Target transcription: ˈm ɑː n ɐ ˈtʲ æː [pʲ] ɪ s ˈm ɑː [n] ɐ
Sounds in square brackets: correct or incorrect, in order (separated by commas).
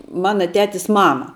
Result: incorrect, incorrect